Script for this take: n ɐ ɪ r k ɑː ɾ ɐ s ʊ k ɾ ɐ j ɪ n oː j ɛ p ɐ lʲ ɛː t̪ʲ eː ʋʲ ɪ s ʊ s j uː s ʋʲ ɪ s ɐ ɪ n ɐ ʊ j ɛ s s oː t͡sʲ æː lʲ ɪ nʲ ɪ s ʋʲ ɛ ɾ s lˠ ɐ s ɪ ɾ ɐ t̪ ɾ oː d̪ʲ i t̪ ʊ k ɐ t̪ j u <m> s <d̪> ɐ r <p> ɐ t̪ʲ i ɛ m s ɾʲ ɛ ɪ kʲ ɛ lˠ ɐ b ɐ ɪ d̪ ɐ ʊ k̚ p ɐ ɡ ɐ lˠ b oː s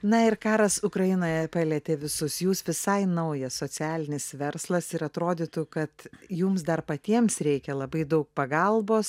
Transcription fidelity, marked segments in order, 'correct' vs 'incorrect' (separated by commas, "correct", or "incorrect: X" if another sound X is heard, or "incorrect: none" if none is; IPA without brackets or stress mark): correct, correct, correct